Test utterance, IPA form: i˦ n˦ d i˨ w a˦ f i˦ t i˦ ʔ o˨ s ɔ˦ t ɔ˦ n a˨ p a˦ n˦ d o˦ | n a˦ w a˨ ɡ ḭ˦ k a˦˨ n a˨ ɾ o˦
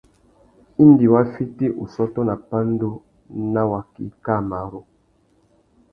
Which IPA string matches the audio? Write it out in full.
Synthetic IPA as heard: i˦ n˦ d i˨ w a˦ f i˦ t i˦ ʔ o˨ s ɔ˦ t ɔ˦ n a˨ p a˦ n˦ d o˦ | n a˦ w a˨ k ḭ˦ k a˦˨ m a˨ ɾ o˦

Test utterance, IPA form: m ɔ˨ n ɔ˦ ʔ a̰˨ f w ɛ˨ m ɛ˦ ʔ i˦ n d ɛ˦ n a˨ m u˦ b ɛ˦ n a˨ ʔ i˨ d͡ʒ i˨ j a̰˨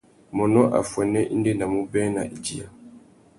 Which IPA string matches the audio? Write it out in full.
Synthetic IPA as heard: m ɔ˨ n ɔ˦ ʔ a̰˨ f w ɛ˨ n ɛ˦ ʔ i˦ n d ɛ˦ n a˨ m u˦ b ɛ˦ n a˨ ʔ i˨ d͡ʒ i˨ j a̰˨

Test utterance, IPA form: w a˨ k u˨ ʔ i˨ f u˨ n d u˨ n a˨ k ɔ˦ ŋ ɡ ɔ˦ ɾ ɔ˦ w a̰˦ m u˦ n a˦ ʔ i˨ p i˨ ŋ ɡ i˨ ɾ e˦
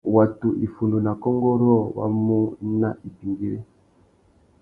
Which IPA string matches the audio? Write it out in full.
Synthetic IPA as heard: w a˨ t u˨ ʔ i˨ f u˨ n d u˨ n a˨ k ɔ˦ ŋ ɡ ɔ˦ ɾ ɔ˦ w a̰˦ m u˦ n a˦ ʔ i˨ p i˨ ŋ ɡ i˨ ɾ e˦

